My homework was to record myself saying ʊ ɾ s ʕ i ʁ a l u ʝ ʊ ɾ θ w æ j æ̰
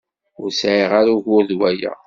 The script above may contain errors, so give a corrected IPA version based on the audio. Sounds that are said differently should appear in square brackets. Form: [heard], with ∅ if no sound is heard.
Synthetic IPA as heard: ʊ ɾ s ʕ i ʁ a [ɾ] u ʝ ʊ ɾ [ð] w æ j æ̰